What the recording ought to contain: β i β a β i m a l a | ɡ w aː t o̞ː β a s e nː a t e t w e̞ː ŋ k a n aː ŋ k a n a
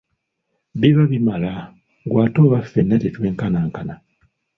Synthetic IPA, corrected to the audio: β i β a β i m a l a | ɡ w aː t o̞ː β a f e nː a t e t w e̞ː ŋ k a n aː ŋ k a n a